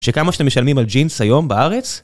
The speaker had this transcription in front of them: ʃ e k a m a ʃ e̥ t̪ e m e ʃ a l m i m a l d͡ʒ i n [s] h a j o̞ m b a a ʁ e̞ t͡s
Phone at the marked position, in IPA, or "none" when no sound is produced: s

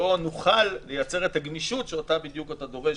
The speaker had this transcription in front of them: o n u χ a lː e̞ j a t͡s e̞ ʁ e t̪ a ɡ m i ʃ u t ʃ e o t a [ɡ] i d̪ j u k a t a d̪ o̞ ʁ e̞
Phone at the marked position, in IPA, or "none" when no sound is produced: b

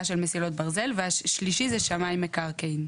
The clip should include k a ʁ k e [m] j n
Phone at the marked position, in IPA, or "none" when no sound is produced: none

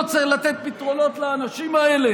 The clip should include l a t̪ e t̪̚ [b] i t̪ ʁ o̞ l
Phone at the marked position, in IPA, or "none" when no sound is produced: p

